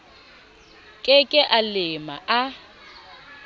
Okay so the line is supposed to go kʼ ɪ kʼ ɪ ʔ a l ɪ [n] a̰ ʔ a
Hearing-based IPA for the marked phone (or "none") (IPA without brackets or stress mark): m